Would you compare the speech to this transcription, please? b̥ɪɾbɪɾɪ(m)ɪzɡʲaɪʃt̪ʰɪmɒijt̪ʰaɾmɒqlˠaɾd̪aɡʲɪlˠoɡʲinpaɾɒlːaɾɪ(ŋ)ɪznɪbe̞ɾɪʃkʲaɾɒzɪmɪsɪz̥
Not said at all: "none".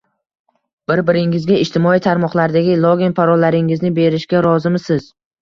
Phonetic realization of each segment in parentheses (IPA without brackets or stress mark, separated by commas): ŋ, ŋ